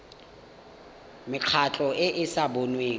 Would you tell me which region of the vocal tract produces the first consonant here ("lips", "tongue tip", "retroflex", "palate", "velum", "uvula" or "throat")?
lips